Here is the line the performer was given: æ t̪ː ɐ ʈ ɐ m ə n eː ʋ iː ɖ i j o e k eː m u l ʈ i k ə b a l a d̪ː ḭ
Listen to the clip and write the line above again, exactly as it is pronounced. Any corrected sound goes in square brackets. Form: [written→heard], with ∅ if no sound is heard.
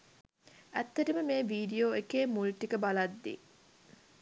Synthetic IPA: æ t̪ː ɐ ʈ [ɐ→ə] m ə [n→m] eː ʋ iː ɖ i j o e k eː m u l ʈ i k ə b a l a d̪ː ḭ